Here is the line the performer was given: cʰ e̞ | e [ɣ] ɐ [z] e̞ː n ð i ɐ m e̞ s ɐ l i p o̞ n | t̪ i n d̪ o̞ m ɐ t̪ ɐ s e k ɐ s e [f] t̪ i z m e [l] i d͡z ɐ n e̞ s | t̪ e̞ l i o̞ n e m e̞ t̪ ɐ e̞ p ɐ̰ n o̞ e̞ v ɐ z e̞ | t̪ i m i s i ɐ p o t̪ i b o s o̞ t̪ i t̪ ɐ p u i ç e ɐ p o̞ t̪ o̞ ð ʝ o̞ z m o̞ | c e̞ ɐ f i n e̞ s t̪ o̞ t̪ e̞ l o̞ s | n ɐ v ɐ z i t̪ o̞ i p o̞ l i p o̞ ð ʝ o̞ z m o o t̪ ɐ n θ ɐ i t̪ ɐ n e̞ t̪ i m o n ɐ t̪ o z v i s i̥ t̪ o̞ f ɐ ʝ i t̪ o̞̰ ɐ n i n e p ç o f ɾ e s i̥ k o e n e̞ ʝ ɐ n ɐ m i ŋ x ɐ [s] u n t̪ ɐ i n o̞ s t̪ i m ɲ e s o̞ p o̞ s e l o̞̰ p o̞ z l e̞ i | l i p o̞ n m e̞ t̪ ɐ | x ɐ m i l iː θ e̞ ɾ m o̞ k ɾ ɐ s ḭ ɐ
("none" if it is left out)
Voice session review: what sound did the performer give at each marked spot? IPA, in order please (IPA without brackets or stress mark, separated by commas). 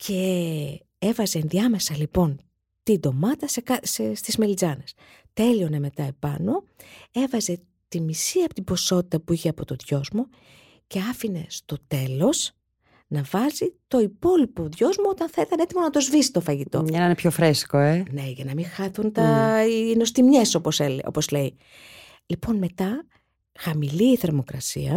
v, z, s, l, θ